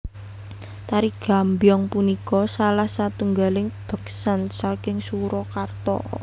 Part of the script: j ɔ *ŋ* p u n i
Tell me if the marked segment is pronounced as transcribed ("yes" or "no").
yes